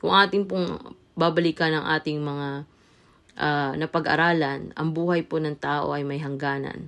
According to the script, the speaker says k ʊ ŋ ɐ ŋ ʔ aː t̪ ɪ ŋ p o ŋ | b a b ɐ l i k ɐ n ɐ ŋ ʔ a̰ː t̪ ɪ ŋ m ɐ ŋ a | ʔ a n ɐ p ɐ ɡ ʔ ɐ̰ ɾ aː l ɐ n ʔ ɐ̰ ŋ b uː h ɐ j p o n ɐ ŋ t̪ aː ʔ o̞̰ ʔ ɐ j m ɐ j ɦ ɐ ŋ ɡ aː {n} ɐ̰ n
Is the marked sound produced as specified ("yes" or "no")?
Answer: yes